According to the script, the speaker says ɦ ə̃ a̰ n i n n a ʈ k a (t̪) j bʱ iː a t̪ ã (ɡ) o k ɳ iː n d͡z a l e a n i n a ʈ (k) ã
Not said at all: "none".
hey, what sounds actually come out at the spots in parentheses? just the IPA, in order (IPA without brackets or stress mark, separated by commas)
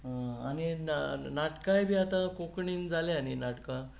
none, k, k